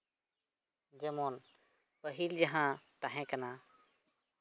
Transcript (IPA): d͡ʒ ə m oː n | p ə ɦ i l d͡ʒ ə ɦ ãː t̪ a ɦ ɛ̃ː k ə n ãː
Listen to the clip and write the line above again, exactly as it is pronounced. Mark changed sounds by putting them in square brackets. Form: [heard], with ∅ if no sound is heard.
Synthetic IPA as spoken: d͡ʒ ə m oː n | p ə ɦ i l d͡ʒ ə ɦ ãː t̪ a ɦ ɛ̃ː k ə n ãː